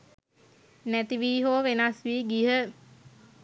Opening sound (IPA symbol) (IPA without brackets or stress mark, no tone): n